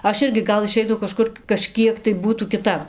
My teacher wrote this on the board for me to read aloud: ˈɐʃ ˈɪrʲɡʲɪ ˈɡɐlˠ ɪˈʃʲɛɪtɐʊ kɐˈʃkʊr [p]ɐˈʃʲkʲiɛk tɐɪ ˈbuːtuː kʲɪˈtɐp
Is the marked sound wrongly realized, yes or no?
yes